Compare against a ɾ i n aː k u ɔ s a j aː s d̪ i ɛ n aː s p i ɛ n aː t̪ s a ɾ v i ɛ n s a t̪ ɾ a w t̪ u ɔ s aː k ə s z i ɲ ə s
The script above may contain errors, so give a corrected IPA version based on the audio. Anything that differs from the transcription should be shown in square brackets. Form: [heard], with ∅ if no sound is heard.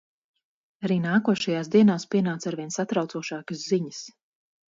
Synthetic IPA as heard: a ɾ [iː] n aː k u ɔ [ʃ] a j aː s d̪ i ɛ n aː s p i ɛ n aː t̪ s a ɾ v i ɛ n s a t̪ ɾ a w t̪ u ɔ [ʃ] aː k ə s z i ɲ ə s